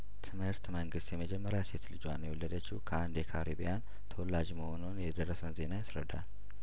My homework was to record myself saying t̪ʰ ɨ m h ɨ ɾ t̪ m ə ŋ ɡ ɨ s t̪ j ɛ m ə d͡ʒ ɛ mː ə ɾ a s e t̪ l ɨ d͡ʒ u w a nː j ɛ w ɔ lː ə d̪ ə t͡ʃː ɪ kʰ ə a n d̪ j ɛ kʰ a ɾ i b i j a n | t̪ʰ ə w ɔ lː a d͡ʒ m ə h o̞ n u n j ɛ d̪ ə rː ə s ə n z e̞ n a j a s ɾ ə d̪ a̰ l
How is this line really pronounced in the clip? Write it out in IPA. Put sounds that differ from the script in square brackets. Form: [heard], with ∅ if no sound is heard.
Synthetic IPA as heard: t̪ʰ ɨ m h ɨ ɾ t̪ m ə ŋ ɡ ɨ s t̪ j ɛ m ə d͡ʒ ɛ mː ə ɾ a s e t̪ l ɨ d͡ʒ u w a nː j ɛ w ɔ lː ə d̪ ə t͡ʃː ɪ kʰ ə a n d̪ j ɛ kʰ a ɾ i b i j a n | t̪ʰ ə w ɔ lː a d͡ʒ m ə h o̞ n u n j ɛ d̪ ə rː ə s ə n z e̞ n a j a s ɾ ə d̪ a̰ l